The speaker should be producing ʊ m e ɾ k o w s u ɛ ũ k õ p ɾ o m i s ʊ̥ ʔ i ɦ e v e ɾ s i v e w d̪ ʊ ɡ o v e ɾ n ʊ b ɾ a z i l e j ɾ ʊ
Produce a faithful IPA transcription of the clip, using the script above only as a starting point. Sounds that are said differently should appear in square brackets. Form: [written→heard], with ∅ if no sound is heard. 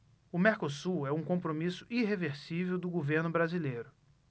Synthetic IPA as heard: ʊ m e ɾ k o [w→∅] s u ɛ ũ k õ p ɾ o m i s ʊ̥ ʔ i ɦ e v e ɾ s i v e w d̪ ʊ ɡ o v e ɾ n ʊ b ɾ a z i l e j ɾ ʊ